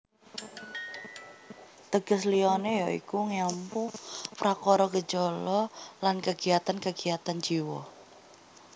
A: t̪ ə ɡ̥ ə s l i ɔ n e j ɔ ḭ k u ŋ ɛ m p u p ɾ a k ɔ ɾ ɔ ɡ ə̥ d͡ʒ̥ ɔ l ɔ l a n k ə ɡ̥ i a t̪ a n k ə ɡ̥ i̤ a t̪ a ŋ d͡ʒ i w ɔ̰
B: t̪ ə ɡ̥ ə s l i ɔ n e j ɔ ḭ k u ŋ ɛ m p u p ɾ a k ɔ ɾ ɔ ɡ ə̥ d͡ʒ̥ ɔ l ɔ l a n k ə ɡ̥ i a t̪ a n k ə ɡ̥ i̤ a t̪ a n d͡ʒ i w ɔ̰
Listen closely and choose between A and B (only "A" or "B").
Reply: B